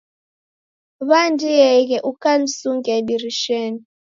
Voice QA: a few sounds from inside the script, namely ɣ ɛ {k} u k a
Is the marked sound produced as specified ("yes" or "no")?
no